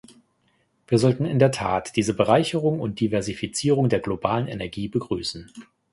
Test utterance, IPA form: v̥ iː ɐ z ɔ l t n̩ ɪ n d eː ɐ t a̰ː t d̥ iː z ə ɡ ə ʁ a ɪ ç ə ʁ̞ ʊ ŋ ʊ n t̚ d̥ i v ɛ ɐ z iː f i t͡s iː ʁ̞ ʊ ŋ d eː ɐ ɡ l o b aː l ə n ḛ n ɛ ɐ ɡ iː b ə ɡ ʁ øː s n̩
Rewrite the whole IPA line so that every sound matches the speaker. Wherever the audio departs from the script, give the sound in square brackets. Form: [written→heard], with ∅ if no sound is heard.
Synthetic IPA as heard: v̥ iː ɐ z ɔ l t n̩ ɪ n d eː ɐ [t→tʰ] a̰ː t d̥ iː z ə [ɡ→b] ə ʁ a ɪ ç ə ʁ̞ ʊ ŋ ʊ n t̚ d̥ i v ɛ ɐ z [iː→i] f i t͡s iː ʁ̞ ʊ ŋ d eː ɐ ɡ l o b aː l ə n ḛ n ɛ ɐ ɡ iː b ə ɡ ʁ [øː→yː] s n̩